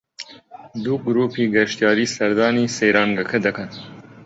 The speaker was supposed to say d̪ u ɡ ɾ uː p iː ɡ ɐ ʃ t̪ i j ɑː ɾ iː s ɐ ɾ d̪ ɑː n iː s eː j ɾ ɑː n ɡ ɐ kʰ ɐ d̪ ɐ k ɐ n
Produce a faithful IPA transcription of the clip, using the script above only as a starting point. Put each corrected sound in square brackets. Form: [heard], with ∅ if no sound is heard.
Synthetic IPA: d̪ u ɡ ɾ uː p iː ɡ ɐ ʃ t̪ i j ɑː ɾ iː s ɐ ɾ d̪ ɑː n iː s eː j ɾ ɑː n ɡ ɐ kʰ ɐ d̪ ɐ k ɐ n